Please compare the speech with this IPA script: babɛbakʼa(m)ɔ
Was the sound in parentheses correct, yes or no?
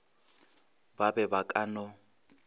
no